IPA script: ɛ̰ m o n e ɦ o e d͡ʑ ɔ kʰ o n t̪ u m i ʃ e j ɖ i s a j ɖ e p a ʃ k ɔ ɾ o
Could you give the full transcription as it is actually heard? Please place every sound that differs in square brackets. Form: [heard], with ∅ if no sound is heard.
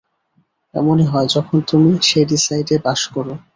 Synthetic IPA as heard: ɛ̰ m o n e ɦ [ɔ] e d͡ʑ ɔ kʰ o n t̪ u m i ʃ e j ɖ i s a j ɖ e [b] a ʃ k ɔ ɾ o